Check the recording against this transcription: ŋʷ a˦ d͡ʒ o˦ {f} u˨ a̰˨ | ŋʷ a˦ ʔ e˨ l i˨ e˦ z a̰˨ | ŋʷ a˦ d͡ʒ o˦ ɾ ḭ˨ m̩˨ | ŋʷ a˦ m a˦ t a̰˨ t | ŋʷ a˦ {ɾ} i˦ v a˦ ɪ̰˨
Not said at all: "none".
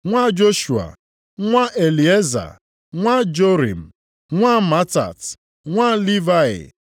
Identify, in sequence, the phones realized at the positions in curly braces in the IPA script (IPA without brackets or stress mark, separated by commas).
ʃ, l